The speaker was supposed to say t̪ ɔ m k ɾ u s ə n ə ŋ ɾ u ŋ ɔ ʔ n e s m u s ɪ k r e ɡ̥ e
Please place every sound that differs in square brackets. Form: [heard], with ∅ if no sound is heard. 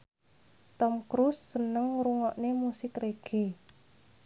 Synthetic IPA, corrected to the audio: t̪ ɔ m k ɾ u [sː] ə n ə ŋ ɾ u ŋ ɔ ʔ n e [∅] m u s ɪ k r e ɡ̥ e